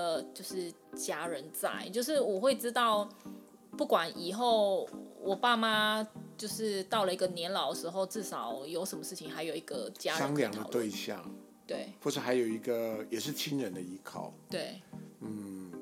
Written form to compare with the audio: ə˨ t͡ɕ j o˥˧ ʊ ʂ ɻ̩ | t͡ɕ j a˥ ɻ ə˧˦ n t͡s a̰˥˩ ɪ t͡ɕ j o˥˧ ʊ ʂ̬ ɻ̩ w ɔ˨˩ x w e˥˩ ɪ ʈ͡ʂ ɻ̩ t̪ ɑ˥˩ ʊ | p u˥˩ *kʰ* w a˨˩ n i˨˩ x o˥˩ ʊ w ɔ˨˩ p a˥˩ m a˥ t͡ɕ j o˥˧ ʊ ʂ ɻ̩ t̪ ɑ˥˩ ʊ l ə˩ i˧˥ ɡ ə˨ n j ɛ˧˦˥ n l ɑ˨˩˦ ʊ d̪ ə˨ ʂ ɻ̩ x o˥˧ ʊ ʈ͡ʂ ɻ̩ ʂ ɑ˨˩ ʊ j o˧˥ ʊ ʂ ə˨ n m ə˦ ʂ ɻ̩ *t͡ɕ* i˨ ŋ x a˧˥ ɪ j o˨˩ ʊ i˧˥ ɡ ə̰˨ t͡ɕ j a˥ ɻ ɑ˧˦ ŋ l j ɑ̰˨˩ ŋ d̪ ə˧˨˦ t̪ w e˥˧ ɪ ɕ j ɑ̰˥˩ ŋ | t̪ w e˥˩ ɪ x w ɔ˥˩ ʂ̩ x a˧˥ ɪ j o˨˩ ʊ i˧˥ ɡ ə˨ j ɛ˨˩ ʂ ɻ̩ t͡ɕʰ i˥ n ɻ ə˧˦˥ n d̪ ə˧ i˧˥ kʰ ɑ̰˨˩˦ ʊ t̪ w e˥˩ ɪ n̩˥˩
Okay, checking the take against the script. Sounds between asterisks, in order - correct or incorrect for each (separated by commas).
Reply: incorrect, incorrect